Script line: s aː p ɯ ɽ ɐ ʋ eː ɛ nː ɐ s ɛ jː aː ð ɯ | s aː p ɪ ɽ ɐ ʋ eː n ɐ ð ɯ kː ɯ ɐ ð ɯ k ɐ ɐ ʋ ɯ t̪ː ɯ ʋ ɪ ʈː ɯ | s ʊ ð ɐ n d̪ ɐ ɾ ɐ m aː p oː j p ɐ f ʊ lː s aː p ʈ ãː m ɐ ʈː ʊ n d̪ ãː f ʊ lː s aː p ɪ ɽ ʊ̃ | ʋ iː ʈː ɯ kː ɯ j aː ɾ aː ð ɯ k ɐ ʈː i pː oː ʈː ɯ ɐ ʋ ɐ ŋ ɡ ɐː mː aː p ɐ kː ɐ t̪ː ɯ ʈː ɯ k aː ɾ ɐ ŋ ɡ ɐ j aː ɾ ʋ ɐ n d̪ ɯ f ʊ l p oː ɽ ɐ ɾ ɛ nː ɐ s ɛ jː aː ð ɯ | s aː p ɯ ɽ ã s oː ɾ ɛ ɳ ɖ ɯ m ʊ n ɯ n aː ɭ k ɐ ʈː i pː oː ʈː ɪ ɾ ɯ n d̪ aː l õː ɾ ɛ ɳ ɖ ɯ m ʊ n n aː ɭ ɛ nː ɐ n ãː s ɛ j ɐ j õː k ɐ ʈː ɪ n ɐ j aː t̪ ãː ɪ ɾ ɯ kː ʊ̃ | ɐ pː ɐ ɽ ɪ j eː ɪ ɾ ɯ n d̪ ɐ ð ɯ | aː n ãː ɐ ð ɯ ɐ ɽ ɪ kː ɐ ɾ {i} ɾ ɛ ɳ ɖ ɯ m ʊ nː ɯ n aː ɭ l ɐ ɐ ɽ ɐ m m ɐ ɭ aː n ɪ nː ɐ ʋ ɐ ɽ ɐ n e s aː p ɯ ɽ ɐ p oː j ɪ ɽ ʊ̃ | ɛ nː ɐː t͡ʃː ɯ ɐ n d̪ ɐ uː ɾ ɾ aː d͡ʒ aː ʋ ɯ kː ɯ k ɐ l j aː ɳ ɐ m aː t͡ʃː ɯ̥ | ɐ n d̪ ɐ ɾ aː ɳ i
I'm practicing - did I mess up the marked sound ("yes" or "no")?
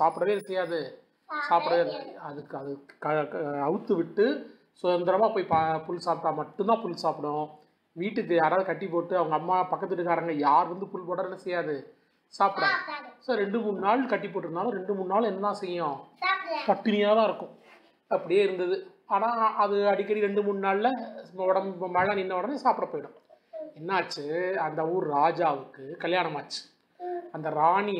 no